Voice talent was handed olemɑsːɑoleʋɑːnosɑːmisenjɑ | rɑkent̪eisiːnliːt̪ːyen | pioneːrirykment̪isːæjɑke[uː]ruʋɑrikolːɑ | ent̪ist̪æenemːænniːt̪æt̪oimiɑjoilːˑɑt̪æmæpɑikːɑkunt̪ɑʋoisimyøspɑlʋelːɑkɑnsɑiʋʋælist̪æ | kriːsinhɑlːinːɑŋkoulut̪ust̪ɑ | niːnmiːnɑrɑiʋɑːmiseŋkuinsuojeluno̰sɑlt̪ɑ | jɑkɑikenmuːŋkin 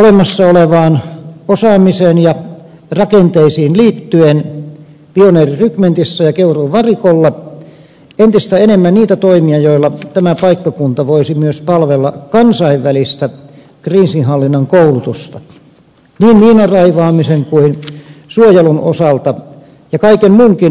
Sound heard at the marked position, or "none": u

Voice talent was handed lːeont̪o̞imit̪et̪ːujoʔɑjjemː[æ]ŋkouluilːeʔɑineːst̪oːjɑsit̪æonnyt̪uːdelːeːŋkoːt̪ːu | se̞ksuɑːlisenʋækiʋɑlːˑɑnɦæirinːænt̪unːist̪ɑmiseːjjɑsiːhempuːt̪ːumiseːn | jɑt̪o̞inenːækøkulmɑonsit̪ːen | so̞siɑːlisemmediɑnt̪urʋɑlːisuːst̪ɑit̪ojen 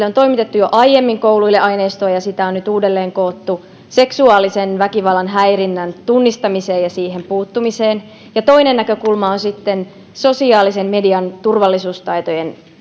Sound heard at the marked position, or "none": i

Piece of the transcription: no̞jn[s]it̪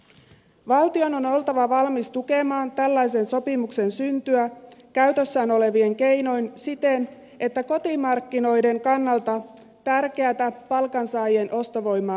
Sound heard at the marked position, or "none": s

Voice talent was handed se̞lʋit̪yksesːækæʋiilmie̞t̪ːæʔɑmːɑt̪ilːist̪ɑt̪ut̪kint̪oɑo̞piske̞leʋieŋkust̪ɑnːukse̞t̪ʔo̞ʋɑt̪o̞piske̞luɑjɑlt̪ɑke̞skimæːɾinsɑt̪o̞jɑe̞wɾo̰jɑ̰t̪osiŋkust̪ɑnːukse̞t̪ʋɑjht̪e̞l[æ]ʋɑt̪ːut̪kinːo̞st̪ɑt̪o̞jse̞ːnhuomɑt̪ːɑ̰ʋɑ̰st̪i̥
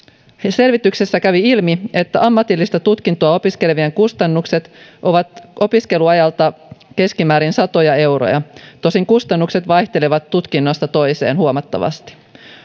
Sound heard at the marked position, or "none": e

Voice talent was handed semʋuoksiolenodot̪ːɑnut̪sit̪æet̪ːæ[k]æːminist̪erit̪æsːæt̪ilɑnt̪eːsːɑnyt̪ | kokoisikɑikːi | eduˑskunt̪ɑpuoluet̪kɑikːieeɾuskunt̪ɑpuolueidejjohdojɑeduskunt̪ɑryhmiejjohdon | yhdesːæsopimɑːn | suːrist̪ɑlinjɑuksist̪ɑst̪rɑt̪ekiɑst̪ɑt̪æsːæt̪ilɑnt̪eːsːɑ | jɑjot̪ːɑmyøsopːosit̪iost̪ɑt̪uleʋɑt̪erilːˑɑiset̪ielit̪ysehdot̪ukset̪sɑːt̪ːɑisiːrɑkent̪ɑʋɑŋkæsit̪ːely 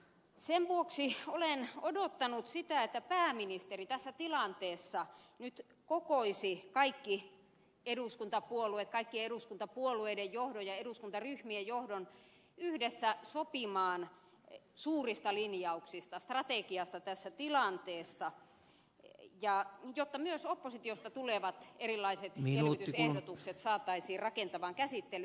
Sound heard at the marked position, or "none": p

